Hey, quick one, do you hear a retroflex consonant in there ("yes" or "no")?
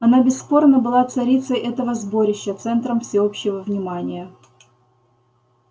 no